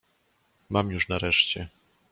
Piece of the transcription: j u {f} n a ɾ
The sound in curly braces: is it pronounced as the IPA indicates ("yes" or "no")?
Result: no